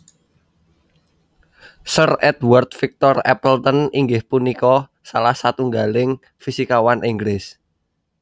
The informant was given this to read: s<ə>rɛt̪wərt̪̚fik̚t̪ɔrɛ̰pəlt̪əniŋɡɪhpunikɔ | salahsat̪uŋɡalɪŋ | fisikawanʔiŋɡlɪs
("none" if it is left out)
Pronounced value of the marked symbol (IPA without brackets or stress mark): ə